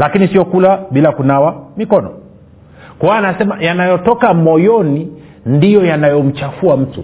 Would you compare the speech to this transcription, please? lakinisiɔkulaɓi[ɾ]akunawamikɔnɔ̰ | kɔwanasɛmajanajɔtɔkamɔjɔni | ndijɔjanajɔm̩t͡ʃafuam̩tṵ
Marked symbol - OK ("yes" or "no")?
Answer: no